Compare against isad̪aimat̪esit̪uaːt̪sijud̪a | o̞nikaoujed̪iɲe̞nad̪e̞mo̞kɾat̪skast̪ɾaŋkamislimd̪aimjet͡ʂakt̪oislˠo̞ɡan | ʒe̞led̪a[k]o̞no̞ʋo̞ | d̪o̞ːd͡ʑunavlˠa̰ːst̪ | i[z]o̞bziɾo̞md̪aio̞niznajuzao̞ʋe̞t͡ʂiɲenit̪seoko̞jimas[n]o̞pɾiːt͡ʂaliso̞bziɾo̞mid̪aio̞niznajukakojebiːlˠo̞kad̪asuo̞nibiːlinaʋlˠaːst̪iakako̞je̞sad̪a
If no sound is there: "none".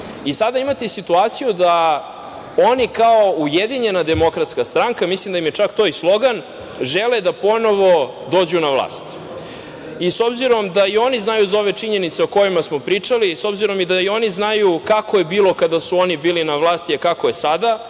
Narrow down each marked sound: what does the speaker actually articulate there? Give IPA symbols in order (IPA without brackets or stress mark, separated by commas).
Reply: p, s, m